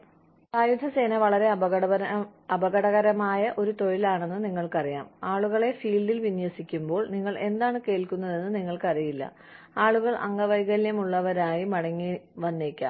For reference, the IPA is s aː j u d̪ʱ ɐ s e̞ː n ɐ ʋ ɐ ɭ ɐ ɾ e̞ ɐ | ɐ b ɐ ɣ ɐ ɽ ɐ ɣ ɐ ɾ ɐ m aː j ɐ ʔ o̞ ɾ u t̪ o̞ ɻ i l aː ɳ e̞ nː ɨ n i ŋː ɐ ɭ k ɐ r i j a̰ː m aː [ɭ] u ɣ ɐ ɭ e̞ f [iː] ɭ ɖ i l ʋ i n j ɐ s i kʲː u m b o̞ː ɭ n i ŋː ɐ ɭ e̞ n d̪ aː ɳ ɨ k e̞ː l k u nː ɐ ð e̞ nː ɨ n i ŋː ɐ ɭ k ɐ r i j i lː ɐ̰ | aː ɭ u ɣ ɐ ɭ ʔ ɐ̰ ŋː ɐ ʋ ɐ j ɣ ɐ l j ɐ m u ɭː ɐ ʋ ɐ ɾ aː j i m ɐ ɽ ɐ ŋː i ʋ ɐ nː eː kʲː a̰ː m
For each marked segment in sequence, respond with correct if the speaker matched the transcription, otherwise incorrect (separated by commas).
correct, correct